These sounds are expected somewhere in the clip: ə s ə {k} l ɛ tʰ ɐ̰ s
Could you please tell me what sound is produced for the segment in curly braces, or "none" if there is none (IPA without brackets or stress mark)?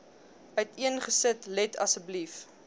t